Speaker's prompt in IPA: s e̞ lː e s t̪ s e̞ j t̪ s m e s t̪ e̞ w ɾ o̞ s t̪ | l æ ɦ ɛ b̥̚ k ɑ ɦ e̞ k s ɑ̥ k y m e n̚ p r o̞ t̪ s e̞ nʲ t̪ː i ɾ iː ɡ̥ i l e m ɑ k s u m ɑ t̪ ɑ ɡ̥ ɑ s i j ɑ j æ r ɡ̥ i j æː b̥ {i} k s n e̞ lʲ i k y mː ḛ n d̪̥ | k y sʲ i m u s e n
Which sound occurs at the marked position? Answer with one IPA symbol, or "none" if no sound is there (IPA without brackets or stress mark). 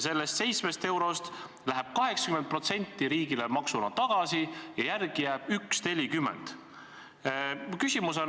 y